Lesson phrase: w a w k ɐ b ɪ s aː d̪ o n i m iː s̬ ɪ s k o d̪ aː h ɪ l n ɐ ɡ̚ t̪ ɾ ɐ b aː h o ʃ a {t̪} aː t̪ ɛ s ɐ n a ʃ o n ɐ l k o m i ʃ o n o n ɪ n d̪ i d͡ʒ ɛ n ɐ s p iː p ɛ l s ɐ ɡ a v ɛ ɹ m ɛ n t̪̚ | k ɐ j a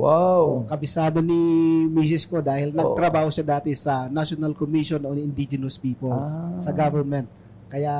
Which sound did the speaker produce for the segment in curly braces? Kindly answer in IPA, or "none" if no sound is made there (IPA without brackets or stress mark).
d̪